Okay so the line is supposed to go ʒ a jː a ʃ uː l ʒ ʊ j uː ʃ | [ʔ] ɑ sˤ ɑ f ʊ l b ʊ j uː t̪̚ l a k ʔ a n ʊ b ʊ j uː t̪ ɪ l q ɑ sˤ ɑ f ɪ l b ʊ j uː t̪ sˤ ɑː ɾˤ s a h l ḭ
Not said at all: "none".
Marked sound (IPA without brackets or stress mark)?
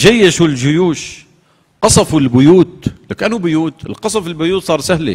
q